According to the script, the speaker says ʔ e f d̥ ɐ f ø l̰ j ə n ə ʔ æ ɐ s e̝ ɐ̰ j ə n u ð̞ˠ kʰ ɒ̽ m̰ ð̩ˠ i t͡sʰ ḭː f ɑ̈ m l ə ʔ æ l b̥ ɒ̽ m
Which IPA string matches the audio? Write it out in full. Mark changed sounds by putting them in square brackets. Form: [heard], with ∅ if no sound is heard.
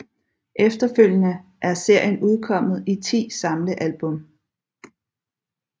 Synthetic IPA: ʔ e f d̥ ɐ f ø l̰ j ə n ə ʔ æ ɐ s e̝ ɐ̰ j ə n u ð̞ˠ kʰ ɒ̽ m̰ ð̩ˠ i t͡sʰ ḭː [s] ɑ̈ m l ə ʔ æ l b̥ [ɔ̽] m